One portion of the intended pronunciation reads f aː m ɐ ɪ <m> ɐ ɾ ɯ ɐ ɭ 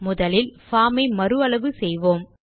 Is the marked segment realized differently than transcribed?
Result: no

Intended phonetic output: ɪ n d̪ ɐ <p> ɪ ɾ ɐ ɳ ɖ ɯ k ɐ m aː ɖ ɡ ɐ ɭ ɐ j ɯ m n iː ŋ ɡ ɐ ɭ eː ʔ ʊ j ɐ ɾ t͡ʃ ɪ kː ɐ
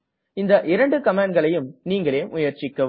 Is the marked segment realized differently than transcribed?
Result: yes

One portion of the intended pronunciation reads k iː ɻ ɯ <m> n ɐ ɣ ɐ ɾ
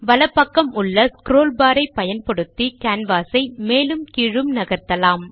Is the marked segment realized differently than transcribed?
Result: no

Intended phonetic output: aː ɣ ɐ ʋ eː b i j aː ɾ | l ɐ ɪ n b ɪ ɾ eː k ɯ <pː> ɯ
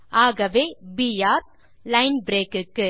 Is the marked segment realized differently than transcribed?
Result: yes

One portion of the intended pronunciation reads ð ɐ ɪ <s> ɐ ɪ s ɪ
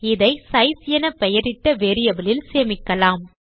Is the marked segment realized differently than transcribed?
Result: no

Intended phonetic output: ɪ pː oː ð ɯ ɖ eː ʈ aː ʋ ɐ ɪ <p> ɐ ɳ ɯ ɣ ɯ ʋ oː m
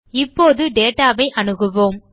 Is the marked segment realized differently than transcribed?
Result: yes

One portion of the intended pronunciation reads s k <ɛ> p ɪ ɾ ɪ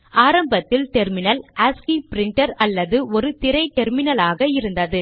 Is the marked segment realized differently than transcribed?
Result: yes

